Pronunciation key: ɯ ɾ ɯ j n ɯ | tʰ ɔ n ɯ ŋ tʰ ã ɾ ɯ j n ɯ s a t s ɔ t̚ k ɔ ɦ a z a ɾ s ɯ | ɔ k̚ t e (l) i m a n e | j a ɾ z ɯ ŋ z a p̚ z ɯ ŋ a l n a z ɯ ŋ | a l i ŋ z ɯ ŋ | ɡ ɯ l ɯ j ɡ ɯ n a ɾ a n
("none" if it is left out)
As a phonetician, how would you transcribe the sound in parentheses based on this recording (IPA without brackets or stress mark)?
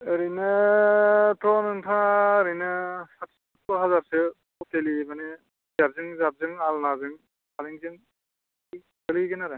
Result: l